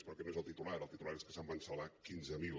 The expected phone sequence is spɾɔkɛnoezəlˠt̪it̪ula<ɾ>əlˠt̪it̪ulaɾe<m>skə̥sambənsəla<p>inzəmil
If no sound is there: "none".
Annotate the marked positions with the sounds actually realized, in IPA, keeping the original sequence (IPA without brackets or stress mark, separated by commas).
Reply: ɾ, none, k